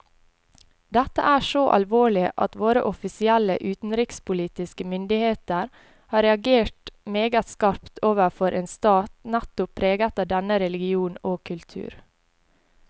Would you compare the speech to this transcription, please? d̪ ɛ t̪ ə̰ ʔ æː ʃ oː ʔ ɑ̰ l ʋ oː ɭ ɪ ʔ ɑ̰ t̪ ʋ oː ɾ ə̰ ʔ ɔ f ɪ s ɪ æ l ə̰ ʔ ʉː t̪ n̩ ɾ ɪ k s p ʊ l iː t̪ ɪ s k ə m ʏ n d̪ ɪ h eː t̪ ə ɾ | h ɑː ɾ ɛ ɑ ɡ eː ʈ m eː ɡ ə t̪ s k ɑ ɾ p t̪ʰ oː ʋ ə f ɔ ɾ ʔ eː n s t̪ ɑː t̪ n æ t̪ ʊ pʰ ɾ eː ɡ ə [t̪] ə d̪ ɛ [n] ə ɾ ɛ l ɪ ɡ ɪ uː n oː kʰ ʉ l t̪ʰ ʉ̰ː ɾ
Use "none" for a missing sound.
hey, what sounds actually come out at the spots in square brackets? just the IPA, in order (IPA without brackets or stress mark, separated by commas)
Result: t̪, n